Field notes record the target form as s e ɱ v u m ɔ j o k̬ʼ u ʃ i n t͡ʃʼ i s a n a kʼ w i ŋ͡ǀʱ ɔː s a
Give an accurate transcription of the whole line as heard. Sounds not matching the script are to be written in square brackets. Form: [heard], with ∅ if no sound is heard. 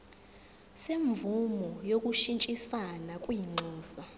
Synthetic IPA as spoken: s e ɱ v u m ɔ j o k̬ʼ u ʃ i n t͡ʃʼ i s a n a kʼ w i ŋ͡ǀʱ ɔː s a